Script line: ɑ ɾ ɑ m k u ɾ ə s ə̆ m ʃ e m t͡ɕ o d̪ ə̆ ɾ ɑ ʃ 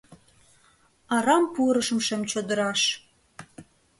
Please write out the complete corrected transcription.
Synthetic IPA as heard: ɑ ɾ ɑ m p u ɾ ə ʃ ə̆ m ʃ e m t͡ɕ o d̪ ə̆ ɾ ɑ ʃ